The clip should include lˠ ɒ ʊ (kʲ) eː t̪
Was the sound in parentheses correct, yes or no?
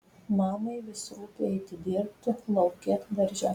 yes